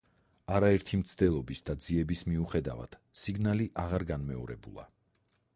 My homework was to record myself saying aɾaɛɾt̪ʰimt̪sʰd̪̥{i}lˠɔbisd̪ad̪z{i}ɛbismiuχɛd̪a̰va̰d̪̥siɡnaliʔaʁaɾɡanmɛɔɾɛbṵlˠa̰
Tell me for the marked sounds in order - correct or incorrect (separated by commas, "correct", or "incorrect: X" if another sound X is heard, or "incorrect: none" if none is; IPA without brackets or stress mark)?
incorrect: ɛ, correct